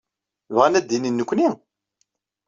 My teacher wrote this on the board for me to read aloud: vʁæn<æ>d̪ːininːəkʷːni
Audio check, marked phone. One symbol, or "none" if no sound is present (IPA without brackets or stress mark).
æ